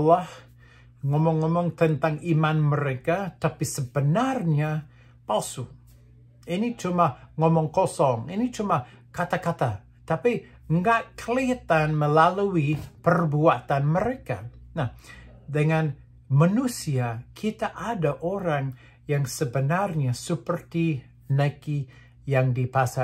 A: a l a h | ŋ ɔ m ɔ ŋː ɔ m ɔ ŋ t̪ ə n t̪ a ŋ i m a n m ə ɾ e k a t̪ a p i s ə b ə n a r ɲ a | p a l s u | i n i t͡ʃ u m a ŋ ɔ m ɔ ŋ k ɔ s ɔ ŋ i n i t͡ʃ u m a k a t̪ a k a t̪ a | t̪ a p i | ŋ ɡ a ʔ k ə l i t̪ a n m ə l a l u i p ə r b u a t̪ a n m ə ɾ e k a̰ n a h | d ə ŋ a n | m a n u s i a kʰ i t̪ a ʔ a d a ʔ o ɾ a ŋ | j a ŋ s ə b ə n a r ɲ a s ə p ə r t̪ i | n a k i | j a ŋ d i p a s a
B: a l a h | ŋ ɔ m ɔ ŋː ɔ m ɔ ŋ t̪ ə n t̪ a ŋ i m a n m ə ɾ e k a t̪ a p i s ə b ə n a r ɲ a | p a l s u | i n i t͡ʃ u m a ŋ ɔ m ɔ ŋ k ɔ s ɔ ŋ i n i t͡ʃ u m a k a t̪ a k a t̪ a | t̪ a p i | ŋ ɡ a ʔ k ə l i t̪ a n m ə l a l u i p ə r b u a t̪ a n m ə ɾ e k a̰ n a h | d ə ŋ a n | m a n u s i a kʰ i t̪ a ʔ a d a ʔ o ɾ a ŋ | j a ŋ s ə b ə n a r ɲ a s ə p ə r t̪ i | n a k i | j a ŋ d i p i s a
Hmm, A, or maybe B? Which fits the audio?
A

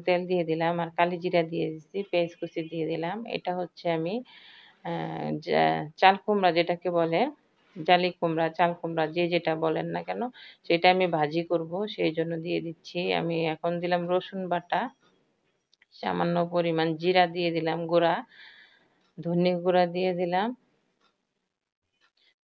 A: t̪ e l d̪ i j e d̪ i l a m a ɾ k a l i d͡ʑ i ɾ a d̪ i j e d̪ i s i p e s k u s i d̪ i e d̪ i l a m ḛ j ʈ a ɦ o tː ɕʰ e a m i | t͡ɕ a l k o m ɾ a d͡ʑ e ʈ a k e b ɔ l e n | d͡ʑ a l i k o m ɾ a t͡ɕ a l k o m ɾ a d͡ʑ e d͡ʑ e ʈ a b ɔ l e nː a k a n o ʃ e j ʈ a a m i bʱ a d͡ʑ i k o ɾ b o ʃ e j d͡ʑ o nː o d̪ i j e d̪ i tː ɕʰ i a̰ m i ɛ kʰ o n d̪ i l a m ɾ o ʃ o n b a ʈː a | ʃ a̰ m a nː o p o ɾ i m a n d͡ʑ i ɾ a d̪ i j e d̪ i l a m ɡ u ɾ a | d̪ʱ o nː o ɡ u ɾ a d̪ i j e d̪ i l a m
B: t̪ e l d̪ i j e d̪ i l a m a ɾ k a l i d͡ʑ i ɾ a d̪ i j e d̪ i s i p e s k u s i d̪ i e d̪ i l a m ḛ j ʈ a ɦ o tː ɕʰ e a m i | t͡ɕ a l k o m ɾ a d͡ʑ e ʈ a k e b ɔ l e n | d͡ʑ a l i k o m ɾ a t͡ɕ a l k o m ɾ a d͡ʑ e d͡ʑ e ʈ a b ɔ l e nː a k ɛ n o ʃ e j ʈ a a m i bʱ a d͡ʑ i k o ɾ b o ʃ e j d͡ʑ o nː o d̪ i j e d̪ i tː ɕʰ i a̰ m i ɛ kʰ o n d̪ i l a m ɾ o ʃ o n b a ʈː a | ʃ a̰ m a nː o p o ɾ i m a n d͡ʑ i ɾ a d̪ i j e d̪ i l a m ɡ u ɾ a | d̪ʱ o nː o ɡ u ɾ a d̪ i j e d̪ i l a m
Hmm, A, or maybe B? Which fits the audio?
B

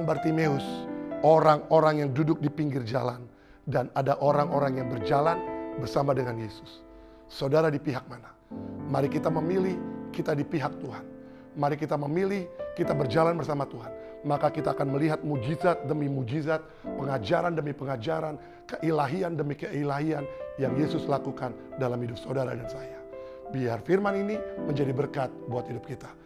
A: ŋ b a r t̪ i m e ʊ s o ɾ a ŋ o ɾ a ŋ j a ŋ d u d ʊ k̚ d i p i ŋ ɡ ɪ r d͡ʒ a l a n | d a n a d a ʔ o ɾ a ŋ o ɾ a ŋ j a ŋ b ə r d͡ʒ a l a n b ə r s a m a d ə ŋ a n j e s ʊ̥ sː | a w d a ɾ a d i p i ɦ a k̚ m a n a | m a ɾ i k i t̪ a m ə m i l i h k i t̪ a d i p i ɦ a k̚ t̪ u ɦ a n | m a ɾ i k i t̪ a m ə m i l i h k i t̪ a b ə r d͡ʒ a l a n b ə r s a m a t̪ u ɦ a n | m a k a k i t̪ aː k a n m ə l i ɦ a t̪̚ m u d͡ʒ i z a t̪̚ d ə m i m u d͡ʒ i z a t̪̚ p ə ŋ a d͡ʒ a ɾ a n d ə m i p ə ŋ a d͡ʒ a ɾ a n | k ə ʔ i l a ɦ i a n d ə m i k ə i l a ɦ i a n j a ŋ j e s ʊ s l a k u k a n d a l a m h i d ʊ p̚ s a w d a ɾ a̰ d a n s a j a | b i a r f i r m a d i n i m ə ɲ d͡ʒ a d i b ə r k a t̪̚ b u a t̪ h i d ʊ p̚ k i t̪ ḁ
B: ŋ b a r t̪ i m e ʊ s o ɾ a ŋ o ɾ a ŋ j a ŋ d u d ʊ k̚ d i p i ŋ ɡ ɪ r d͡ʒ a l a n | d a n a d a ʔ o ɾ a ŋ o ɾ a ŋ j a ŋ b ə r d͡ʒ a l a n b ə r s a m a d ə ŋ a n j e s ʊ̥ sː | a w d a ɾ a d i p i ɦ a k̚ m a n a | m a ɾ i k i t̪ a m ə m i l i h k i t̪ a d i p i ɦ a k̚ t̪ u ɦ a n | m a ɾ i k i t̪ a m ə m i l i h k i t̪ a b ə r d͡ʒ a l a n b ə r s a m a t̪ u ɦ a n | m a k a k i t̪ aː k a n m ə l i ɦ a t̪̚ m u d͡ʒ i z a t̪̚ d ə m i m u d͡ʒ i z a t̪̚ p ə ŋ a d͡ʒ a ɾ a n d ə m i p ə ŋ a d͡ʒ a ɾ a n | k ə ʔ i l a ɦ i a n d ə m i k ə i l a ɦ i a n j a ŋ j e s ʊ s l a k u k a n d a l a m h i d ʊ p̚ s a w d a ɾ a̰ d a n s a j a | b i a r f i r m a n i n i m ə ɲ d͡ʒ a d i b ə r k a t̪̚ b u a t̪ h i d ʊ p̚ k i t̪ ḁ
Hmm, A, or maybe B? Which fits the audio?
B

